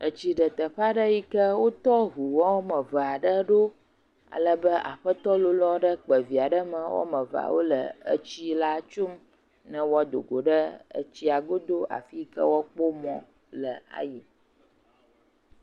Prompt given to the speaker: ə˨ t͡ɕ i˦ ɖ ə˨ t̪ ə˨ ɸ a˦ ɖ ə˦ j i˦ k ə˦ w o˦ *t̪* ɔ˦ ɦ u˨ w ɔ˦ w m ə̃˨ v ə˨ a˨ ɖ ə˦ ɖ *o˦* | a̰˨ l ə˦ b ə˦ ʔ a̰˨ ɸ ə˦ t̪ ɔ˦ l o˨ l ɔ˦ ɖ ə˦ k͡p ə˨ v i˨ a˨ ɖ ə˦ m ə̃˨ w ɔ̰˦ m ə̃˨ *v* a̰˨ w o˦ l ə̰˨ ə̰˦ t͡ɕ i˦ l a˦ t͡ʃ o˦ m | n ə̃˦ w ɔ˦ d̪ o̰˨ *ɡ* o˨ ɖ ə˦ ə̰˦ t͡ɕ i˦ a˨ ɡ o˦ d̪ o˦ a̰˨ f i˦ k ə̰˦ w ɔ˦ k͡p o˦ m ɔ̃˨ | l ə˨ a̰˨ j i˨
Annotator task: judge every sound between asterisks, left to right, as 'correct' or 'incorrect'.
correct, correct, correct, correct

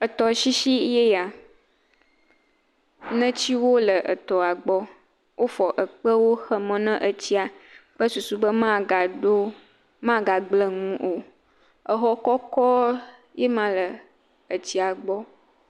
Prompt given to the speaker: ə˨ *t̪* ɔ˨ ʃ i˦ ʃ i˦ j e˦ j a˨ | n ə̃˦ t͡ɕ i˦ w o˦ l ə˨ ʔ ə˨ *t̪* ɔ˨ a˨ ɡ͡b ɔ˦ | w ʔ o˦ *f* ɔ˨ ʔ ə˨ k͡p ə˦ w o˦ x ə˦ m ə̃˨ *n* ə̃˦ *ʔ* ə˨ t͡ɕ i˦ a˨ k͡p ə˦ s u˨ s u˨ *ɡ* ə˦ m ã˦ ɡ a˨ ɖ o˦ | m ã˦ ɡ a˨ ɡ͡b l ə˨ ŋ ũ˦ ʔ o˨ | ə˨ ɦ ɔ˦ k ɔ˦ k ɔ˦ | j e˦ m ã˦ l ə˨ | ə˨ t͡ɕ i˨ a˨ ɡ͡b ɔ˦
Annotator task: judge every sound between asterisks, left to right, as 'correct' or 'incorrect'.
correct, correct, correct, correct, correct, incorrect: b

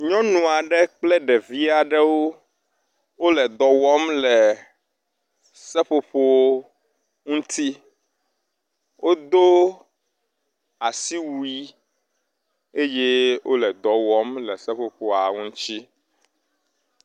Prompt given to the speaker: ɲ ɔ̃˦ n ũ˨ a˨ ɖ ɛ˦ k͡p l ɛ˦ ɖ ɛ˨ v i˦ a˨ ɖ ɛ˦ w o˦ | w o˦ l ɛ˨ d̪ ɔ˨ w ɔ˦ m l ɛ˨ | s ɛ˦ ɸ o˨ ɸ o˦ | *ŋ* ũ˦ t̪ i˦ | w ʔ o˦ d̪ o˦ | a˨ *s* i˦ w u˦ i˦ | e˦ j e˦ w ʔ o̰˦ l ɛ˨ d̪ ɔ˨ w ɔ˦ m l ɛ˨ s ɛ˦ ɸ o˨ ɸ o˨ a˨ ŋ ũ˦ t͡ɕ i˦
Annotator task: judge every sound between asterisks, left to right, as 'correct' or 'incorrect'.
correct, correct

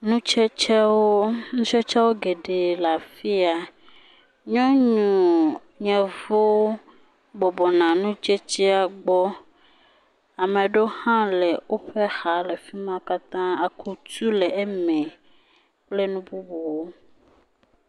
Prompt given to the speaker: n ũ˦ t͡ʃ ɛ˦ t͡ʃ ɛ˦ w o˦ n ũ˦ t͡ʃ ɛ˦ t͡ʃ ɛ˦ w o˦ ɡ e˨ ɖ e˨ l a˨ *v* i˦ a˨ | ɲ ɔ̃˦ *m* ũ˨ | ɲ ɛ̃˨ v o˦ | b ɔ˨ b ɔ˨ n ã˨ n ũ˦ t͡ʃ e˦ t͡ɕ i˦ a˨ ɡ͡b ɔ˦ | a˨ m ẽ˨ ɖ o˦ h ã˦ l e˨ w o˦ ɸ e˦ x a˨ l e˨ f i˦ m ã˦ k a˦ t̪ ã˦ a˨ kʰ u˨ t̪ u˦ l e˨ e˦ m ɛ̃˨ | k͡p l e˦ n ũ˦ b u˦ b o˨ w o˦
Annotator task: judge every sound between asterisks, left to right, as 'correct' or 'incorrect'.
incorrect: f, incorrect: ɲ

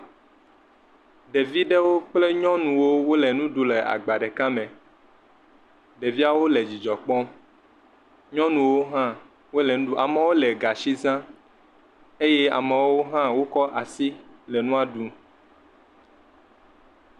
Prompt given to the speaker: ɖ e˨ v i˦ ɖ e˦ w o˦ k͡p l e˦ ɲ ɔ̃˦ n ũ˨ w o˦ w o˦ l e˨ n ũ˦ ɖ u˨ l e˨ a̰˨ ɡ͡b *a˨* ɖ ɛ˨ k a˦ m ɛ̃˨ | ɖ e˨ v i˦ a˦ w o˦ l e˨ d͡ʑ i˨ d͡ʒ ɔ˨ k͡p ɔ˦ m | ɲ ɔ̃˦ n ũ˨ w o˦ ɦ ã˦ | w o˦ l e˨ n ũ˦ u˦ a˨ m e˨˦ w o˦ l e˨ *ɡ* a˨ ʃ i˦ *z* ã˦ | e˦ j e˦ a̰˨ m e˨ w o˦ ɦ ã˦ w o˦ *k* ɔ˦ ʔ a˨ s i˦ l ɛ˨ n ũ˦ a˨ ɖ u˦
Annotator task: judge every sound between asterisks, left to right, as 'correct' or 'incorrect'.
correct, correct, correct, correct

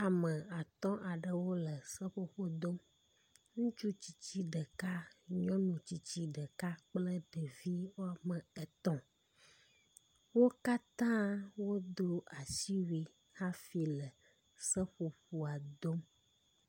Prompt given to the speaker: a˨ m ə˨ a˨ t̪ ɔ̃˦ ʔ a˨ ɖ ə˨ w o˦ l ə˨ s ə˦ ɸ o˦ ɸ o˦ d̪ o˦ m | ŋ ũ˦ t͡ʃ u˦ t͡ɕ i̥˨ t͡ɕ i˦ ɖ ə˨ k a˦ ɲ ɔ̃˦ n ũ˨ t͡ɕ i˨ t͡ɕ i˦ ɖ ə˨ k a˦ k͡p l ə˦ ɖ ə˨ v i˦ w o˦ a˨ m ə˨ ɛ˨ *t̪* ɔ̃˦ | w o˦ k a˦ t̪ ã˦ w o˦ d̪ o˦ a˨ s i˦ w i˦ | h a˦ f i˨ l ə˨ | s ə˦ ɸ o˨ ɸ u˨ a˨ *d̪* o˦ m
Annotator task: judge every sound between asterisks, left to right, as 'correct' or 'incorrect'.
correct, correct

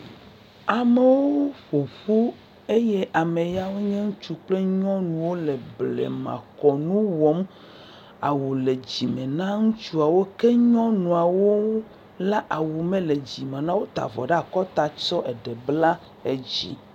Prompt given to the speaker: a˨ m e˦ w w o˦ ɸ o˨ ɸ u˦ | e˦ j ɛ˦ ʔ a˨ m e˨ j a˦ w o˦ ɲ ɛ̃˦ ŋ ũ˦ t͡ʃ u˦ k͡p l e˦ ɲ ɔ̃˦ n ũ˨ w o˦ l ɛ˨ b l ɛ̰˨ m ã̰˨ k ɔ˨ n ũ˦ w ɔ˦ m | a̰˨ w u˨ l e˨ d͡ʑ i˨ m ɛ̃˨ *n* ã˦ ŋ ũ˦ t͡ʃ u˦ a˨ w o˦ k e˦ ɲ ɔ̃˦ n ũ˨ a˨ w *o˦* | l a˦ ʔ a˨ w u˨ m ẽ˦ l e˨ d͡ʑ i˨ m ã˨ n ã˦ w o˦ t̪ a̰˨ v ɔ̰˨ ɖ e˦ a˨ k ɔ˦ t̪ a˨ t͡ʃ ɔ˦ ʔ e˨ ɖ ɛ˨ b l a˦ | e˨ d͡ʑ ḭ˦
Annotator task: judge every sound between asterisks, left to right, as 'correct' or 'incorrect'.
correct, correct

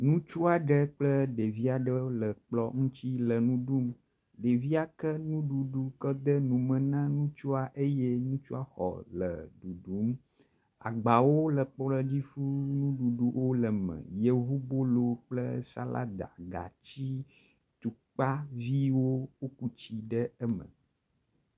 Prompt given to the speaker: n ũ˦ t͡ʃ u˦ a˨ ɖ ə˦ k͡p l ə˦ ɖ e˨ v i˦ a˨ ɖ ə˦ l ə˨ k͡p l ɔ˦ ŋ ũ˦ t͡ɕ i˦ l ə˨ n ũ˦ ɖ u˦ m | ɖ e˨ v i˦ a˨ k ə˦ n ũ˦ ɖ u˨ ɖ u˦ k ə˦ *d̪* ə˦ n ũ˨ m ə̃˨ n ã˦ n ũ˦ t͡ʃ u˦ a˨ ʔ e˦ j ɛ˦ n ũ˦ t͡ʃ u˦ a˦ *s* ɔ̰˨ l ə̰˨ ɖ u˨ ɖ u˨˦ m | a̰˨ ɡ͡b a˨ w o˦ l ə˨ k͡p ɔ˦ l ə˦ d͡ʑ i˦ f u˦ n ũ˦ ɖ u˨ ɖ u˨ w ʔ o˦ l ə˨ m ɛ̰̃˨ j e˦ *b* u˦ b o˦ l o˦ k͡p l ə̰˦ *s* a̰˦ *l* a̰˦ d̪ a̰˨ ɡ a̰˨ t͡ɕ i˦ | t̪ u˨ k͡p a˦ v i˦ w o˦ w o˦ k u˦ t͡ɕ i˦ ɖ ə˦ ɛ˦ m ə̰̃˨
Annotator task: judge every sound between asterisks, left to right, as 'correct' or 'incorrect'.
correct, incorrect: x, incorrect: v, correct, correct

